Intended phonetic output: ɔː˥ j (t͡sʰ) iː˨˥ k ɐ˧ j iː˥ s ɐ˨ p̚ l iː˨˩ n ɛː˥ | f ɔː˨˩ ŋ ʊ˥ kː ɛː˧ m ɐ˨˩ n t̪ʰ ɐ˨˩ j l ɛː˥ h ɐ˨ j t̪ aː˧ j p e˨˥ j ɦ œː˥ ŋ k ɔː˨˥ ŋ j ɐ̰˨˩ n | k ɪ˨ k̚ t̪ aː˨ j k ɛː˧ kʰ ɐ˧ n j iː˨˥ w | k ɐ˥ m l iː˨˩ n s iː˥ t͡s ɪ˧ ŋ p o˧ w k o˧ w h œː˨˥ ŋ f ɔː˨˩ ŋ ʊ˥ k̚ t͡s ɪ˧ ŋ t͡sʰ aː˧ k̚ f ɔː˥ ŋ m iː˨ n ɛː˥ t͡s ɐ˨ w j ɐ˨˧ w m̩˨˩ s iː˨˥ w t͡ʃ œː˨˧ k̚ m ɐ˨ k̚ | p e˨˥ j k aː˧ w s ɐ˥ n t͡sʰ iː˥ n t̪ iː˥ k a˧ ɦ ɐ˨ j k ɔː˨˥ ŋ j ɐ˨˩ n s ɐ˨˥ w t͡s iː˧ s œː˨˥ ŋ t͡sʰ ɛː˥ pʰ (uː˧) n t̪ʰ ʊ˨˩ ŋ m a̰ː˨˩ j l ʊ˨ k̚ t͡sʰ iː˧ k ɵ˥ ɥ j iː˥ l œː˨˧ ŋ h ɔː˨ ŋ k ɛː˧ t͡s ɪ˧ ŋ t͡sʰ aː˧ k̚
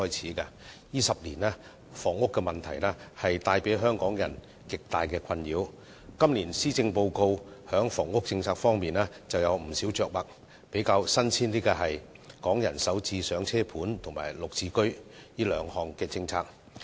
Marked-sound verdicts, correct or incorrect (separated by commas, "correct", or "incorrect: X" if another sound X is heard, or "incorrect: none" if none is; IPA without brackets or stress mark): correct, incorrect: uː˨˥